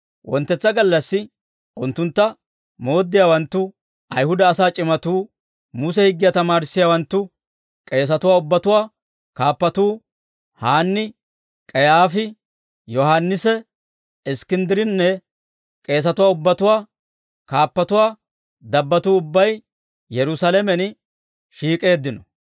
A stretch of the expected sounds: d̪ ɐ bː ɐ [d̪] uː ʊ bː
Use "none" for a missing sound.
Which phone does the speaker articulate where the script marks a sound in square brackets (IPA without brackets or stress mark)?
t̪